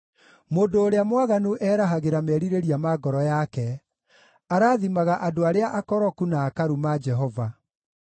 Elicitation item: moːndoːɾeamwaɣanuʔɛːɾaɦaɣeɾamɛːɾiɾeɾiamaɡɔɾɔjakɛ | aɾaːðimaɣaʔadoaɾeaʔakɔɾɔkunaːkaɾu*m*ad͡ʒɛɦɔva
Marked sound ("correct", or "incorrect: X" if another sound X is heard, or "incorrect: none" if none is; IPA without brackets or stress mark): correct